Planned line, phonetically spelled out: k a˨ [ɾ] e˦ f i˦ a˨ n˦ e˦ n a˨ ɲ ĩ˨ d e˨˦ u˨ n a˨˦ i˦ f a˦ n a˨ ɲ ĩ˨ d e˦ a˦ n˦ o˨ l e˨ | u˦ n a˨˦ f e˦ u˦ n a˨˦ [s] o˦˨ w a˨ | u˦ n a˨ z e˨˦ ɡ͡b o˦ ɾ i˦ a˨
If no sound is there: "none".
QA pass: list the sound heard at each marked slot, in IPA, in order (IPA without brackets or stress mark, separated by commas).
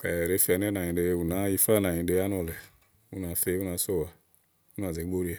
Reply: ɾ, s